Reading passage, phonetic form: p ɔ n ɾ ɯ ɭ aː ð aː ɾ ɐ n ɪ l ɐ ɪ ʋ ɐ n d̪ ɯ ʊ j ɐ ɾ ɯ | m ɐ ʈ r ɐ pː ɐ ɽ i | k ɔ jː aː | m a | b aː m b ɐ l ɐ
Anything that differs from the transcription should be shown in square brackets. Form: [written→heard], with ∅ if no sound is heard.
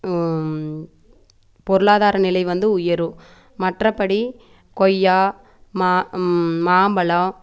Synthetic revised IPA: p ɔ [n→∅] ɾ ɯ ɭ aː ð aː ɾ ɐ n ɪ l ɐ ɪ ʋ ɐ n d̪ ɯ ʊ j ɐ ɾ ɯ | m ɐ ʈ r ɐ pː ɐ ɽ i | k ɔ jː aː | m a | [b→m] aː m b ɐ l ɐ